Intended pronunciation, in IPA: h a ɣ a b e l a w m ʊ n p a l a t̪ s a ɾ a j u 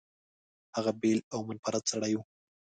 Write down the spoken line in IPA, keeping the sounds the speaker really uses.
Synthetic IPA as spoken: h a ɣ a b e l a w m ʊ n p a ɾ a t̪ s a ɽ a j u